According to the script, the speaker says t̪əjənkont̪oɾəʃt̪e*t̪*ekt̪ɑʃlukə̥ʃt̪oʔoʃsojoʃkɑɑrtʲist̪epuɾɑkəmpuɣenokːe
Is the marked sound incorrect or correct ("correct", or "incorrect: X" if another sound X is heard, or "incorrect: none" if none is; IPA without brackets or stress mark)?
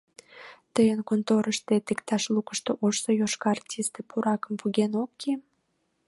correct